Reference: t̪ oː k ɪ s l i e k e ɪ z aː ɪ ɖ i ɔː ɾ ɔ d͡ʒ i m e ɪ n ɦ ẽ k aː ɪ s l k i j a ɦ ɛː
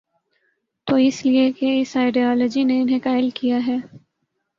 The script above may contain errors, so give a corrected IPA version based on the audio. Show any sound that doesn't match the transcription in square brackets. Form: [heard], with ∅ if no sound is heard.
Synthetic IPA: t̪ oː [∅] ɪ s l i e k e ɪ [s] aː ɪ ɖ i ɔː [l] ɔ d͡ʒ i [n] e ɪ n ɦ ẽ k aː ɪ [∅] l k i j a ɦ ɛː